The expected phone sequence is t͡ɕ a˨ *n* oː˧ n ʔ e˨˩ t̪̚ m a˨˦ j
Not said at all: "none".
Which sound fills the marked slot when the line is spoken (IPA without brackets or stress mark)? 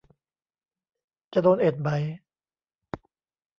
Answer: d